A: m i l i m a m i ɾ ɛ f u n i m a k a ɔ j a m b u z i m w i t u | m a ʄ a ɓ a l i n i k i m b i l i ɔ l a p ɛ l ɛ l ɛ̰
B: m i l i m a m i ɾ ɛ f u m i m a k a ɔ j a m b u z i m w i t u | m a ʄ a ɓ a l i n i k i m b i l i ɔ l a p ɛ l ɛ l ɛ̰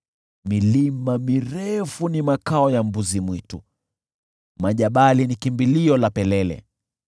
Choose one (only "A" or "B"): A